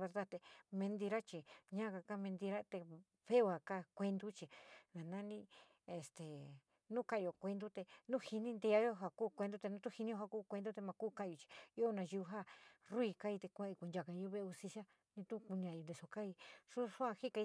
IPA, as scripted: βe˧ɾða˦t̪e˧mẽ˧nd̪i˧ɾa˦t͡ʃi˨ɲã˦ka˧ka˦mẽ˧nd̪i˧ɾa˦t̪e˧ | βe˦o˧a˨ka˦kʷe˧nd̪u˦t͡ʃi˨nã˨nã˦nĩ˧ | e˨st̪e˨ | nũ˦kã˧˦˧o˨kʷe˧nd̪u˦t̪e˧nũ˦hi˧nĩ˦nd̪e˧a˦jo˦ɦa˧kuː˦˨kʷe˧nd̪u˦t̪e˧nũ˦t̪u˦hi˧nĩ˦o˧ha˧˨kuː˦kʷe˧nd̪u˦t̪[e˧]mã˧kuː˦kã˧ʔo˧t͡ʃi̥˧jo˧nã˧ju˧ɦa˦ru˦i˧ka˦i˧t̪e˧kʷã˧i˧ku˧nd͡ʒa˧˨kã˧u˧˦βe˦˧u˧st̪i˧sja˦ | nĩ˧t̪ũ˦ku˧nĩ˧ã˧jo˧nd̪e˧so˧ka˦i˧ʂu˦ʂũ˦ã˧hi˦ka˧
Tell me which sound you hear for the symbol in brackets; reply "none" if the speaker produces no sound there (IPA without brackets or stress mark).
e˧